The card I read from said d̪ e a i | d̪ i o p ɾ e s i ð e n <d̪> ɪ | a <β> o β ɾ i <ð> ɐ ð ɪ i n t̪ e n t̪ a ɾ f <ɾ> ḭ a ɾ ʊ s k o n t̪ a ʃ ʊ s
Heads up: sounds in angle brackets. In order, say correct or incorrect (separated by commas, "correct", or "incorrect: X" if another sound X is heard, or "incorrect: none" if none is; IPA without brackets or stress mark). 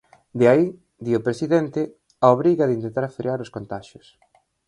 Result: incorrect: t̪, incorrect: none, incorrect: ɣ, correct